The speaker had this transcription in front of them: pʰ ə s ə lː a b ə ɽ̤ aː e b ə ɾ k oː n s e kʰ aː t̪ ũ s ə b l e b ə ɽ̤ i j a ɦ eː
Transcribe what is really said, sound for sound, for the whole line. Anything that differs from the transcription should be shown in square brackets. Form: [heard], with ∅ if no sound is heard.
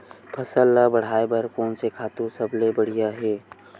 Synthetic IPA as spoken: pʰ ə s ə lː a b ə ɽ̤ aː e b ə ɾ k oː n s e kʰ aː t̪ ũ s ə b l e b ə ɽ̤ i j a ɦ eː